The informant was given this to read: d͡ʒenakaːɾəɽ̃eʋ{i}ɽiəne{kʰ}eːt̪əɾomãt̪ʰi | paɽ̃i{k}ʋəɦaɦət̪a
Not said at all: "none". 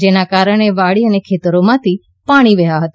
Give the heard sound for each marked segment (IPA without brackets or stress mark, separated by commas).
a, kʰ, none